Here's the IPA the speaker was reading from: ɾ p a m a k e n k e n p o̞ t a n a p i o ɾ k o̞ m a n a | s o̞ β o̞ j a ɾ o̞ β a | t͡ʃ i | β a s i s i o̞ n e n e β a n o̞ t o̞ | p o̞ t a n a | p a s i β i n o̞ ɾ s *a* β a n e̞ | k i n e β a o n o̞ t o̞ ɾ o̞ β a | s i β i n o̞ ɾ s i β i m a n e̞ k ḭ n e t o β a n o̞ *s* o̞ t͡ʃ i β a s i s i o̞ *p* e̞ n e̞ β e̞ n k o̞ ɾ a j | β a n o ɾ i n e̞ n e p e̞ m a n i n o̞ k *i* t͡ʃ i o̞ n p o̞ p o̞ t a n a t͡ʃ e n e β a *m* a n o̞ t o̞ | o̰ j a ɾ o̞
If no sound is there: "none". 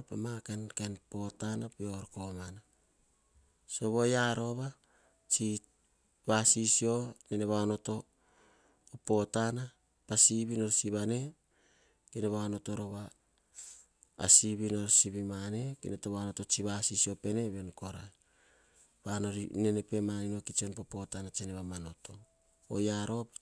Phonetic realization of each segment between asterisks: i, t, p, i, m

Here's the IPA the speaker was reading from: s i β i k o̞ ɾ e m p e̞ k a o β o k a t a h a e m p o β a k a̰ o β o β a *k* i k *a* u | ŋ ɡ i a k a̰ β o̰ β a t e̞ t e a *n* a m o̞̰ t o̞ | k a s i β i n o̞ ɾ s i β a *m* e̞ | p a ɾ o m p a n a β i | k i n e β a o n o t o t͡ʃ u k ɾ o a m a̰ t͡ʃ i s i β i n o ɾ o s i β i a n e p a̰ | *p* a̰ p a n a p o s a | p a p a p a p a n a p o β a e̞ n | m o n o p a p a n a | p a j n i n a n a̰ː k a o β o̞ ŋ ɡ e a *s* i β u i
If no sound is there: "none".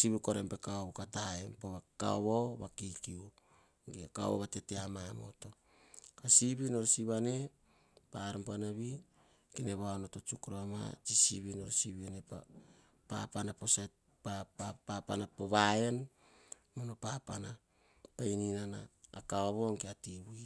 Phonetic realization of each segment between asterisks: k, i, m, n, p, t

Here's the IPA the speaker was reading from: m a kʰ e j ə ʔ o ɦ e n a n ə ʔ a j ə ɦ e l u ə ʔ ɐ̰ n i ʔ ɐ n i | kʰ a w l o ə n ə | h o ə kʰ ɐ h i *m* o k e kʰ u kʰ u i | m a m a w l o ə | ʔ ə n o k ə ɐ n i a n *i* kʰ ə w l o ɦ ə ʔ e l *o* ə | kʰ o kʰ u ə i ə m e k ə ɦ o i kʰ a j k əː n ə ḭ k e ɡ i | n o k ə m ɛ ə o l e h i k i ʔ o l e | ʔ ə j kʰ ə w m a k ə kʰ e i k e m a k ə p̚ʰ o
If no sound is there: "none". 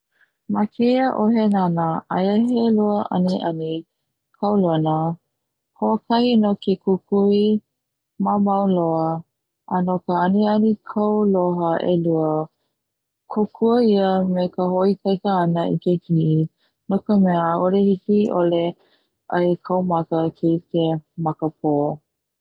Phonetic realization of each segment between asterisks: n, i, u

